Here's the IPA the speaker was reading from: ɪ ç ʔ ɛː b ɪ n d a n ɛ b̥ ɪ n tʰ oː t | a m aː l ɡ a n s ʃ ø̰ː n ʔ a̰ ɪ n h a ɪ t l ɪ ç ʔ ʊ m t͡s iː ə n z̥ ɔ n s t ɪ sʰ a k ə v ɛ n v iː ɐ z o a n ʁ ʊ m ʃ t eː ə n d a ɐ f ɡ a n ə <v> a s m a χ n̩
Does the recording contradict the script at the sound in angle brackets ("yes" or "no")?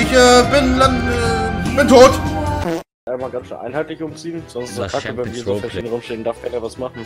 no